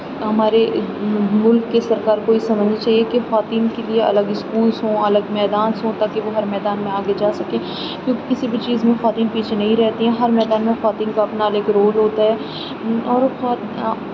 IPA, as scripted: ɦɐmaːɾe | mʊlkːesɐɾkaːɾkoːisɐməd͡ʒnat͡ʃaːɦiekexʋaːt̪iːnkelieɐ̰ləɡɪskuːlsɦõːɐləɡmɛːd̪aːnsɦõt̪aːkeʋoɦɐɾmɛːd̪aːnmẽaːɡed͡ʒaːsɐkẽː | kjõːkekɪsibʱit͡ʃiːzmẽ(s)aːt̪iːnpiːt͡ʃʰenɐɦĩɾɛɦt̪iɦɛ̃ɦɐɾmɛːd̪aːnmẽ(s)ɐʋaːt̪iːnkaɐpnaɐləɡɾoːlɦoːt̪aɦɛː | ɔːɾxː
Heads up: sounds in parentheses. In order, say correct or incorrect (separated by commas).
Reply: incorrect, incorrect